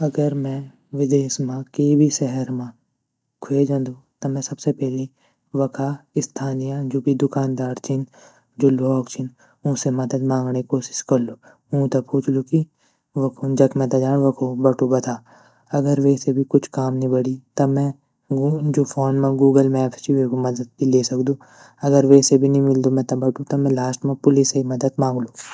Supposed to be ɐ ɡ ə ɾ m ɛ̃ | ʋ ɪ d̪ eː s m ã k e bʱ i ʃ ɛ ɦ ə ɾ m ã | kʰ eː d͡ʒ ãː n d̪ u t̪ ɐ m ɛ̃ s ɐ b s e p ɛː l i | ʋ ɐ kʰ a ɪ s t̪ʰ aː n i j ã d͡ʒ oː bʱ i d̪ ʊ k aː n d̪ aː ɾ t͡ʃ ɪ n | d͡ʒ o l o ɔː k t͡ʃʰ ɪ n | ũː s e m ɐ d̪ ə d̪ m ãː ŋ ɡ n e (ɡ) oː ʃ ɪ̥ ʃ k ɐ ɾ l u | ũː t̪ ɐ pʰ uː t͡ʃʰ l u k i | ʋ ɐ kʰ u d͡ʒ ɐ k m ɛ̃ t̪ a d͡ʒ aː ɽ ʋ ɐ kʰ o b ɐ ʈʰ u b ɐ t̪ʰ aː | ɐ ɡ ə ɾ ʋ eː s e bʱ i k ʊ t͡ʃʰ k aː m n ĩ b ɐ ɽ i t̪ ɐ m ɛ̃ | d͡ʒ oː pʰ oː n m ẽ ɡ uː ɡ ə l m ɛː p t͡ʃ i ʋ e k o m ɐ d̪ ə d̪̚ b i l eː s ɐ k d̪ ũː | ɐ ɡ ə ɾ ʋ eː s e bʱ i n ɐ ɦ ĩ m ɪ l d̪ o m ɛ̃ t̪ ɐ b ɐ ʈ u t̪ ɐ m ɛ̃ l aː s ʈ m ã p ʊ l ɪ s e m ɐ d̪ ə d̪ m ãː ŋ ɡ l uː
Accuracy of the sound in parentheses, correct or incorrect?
incorrect: k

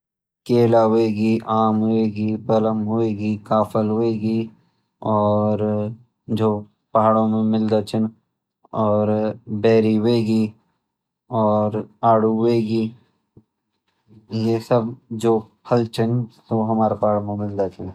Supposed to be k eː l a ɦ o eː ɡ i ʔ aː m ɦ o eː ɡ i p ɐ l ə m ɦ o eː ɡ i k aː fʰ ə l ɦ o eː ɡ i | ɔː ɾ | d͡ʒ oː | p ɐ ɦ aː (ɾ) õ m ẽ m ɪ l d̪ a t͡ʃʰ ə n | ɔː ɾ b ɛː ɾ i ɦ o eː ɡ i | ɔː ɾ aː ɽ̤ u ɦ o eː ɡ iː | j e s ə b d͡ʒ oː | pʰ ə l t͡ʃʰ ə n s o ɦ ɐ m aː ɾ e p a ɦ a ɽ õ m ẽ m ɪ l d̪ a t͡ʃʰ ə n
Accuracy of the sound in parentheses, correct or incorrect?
incorrect: ɽ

